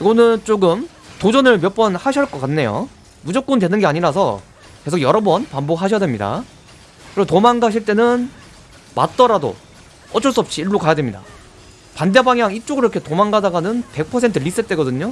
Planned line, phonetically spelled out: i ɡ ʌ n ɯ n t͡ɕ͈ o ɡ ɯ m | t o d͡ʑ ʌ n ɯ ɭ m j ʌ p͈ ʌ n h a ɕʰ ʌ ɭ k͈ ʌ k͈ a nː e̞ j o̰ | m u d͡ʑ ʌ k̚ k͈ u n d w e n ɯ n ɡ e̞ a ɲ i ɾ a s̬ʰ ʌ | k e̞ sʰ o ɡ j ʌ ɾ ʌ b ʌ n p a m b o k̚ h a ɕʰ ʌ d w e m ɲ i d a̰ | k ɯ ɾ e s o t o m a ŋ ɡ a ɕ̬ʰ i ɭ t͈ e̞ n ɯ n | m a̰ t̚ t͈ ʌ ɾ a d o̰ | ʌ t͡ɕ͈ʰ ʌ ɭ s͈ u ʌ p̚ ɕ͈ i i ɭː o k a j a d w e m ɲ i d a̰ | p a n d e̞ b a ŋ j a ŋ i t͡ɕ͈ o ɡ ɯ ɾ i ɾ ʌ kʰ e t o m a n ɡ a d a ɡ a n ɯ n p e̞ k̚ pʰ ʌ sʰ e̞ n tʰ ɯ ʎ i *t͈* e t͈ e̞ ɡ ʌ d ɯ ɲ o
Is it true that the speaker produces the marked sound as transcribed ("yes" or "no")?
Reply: no